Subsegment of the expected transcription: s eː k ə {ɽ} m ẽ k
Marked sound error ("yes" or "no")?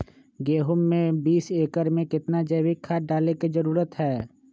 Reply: yes